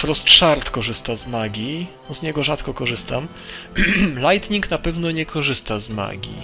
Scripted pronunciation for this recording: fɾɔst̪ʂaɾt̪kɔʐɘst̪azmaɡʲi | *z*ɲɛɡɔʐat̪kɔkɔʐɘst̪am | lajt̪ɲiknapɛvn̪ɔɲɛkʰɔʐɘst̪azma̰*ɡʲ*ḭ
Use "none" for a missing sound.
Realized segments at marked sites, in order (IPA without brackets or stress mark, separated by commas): z, ɡʲ